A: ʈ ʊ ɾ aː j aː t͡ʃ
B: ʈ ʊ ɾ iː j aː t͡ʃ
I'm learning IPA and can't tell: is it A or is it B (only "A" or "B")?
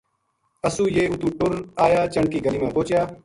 A